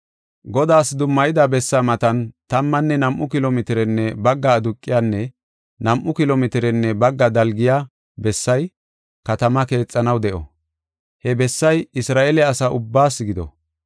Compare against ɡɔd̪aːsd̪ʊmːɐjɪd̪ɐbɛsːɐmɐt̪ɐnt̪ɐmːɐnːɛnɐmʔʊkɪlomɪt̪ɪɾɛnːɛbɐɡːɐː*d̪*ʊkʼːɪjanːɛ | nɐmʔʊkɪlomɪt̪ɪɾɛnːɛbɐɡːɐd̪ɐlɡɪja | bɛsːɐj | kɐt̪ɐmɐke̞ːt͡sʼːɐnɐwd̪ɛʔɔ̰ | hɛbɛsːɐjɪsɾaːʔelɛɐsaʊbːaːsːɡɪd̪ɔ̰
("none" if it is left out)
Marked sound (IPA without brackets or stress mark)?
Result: d̪